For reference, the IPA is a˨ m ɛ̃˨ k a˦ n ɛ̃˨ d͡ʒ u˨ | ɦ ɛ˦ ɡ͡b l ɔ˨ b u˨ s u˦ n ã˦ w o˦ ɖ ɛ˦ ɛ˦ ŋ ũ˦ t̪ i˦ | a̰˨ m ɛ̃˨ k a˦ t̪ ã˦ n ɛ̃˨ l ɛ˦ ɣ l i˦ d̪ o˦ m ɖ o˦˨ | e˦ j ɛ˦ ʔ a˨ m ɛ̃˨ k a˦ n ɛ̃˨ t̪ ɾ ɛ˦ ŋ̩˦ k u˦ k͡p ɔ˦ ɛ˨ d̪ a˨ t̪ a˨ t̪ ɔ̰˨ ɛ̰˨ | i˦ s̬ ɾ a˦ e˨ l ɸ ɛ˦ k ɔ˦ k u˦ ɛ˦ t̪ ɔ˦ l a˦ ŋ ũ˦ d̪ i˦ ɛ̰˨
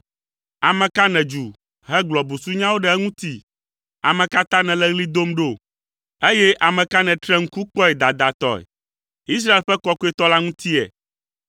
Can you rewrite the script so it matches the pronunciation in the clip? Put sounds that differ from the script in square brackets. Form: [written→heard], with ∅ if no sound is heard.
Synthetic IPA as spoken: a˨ m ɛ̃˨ k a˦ n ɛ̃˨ d͡ʒ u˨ | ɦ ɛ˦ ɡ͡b l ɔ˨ b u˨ s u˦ [n→ɲ] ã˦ w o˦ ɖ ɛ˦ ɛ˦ ŋ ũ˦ t̪ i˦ | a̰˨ m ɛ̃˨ k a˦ t̪ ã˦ n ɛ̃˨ l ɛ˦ ɣ l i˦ d̪ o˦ m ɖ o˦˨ | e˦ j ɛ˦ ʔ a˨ m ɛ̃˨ k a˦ n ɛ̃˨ t̪ ɾ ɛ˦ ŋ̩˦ k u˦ k͡p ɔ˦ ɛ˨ d̪ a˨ [t̪→d̪] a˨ t̪ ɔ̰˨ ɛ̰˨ | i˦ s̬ ɾ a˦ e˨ l ɸ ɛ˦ k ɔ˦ k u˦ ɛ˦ t̪ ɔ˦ l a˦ ŋ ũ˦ [d̪→t̪] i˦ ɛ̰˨